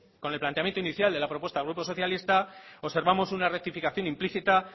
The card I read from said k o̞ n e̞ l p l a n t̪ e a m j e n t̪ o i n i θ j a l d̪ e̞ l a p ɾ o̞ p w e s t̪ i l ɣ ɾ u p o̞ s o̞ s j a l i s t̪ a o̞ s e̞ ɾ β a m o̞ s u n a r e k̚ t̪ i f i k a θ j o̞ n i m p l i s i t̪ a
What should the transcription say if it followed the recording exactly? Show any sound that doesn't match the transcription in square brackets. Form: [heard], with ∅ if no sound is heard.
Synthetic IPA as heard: k o̞ n e̞ l p l a n t̪ e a m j e n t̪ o i n i θ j a l d̪ e̞ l a p ɾ o̞ p w e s t̪ [a] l ɣ ɾ u p o̞ s o̞ [θ] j a l i s t̪ a o̞ s e̞ ɾ β a m o̞ s u n a r e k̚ t̪ i f i k a θ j o̞ n i m p l i [θ] i t̪ a